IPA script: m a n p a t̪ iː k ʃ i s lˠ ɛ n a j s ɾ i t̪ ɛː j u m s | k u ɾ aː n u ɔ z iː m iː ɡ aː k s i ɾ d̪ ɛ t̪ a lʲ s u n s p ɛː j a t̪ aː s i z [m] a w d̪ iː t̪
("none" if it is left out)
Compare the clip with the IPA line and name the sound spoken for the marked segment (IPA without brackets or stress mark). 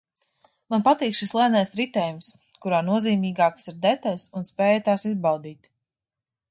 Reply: b